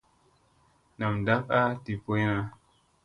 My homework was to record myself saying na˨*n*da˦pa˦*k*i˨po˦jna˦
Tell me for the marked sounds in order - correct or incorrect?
incorrect: m, incorrect: t

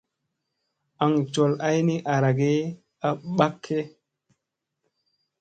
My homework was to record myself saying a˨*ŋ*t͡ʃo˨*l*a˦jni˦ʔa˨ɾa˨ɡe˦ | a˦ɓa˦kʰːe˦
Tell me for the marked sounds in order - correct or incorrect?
correct, correct

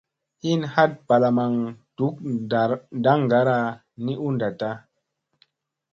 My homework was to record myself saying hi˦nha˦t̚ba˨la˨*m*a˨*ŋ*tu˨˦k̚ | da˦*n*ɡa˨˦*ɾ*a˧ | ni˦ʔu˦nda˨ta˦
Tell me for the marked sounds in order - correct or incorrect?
correct, correct, incorrect: ŋ, correct

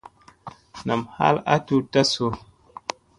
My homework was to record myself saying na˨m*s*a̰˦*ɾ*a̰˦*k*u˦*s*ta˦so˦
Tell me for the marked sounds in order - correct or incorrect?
incorrect: h, incorrect: l, incorrect: t, incorrect: none

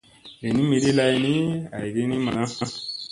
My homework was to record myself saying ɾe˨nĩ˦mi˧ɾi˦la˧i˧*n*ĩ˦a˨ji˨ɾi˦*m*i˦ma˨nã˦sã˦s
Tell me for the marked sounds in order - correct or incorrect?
correct, incorrect: n

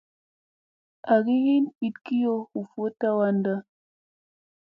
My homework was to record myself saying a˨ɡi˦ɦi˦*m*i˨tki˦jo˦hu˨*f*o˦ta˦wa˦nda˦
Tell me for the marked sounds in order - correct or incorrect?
incorrect: n, correct

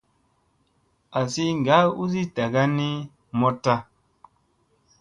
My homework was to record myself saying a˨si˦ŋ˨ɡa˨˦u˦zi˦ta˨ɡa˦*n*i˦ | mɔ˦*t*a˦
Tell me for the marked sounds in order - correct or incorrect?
correct, correct

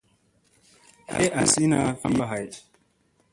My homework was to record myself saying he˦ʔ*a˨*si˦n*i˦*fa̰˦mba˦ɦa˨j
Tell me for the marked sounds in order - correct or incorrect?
correct, incorrect: a˦

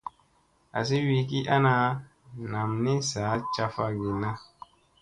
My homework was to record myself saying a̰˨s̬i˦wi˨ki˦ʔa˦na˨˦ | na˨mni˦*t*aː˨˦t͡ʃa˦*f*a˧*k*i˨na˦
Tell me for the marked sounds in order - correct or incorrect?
incorrect: s, correct, incorrect: ɡ

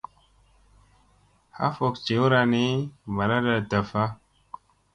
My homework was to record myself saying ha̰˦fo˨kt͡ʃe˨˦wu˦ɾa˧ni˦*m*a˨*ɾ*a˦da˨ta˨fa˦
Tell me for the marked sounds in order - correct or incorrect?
correct, correct

